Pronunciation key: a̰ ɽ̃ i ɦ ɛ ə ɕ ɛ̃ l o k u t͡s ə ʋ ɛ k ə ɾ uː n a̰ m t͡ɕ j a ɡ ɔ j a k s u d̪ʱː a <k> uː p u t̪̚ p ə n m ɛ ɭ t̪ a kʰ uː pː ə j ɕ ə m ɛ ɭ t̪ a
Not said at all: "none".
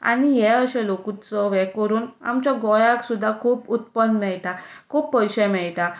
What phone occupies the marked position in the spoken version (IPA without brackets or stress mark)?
kʰ